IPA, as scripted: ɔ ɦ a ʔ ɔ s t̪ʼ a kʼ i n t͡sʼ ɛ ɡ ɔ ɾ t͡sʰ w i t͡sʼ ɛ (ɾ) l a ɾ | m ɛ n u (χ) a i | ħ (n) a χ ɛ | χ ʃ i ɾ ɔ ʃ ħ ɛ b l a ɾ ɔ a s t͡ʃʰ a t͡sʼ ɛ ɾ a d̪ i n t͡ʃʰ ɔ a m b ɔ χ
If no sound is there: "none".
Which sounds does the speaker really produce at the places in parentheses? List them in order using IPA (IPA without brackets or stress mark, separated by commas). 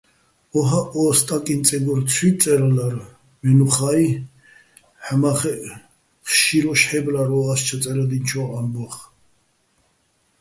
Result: ɾ, χ, m